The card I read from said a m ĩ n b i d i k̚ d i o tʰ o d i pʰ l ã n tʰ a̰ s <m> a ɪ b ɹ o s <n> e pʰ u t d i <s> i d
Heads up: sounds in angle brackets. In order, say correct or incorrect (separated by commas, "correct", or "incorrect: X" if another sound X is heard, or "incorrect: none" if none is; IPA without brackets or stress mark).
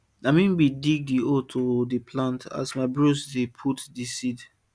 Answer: correct, incorrect: d, correct